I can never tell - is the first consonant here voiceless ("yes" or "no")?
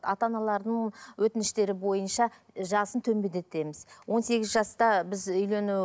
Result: yes